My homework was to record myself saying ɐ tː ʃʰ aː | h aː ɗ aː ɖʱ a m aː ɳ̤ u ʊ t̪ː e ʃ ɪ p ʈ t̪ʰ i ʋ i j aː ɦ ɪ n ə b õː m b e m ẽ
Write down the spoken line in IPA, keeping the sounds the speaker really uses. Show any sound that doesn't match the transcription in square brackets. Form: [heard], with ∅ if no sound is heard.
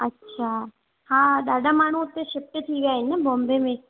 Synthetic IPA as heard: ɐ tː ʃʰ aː | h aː ɗ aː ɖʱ a m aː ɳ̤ u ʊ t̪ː e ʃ ɪ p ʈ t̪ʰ i ʋ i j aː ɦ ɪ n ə b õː m b e m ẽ